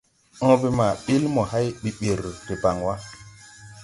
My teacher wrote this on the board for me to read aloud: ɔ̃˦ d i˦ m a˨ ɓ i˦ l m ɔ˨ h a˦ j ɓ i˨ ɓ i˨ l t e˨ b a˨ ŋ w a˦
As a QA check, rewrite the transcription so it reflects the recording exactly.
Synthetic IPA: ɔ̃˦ b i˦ m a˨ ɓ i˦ l m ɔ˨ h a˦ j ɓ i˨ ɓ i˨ ɾ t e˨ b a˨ ŋ w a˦